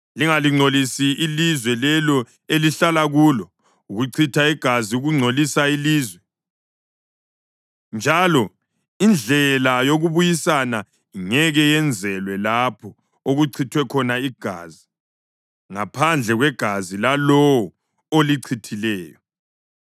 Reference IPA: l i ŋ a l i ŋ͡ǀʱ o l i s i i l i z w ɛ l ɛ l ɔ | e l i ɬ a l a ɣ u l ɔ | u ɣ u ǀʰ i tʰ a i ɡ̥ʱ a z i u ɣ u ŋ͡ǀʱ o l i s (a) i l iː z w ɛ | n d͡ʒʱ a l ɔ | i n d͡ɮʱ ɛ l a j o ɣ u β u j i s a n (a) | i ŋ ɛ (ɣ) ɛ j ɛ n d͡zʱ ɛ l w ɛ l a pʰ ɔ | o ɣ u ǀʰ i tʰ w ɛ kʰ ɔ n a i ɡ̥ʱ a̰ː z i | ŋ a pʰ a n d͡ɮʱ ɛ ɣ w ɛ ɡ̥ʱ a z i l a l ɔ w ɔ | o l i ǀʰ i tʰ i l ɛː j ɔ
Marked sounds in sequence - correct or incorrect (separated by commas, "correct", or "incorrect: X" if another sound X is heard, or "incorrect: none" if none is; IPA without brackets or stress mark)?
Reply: correct, correct, correct